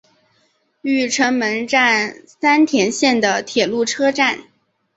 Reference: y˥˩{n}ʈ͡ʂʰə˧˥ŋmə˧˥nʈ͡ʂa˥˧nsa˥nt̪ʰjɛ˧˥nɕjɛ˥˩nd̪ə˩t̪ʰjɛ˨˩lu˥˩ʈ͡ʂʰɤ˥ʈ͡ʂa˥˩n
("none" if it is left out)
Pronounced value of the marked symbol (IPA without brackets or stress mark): none